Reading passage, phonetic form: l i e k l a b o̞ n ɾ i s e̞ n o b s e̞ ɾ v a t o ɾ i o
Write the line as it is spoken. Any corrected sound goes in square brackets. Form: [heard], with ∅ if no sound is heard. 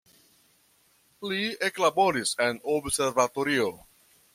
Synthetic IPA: l i e k l a b o̞ [∅] ɾ i s e̞ n o b s e̞ ɾ v a t o ɾ i o

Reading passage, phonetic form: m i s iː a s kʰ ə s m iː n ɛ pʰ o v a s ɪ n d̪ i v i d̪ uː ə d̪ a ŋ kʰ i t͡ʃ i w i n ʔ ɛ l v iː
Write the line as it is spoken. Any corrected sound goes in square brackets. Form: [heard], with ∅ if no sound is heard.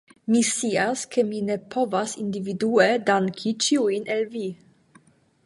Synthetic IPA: m i s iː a s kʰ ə [∅] m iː n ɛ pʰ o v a s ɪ n d̪ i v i d̪ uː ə d̪ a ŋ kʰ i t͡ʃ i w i n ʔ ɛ l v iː

